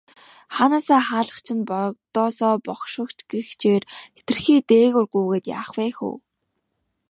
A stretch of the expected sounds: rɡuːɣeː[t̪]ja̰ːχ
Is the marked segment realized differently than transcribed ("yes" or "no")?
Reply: no